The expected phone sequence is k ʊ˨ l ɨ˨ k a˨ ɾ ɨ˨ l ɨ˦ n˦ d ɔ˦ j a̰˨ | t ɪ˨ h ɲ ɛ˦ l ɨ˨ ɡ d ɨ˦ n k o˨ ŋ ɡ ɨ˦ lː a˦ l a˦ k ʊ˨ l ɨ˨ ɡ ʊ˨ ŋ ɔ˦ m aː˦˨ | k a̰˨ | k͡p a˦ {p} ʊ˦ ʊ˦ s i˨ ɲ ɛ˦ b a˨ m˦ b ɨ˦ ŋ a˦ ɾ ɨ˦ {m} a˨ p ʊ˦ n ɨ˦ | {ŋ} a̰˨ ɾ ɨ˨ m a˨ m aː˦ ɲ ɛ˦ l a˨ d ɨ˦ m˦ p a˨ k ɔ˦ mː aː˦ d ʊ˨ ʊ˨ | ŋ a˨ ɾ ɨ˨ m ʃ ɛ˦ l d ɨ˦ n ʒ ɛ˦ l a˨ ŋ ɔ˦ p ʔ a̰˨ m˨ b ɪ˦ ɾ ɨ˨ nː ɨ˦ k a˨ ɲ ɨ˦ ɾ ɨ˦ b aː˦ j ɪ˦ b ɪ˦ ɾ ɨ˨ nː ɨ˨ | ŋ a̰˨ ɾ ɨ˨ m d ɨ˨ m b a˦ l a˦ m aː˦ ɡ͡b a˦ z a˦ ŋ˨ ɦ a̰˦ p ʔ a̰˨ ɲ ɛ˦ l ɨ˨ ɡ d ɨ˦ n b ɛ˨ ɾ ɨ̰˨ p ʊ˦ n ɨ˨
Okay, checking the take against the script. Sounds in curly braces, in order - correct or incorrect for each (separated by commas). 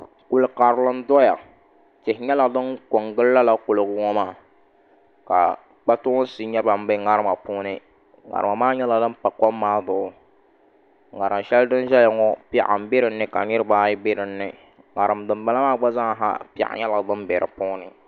incorrect, correct, correct